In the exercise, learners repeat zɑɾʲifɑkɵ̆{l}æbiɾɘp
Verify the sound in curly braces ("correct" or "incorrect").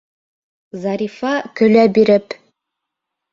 correct